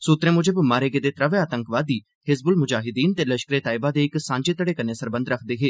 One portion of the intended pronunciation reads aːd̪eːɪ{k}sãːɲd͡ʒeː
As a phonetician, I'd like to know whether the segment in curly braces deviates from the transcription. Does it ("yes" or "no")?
no